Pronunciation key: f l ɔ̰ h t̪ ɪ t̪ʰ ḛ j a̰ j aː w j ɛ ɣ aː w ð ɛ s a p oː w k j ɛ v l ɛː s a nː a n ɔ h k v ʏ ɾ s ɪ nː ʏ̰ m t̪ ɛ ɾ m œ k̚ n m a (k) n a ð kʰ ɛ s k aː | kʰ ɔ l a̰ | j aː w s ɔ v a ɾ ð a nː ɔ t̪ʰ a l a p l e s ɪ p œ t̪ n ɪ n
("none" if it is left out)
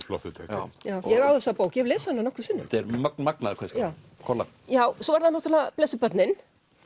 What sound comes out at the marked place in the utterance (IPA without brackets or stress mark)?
k